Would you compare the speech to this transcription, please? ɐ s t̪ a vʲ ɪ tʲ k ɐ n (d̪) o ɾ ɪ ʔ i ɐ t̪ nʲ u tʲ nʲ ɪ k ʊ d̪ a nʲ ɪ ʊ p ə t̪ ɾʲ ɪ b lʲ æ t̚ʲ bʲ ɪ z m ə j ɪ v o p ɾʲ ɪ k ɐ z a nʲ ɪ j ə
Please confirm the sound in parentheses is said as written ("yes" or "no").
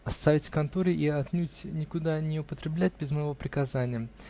no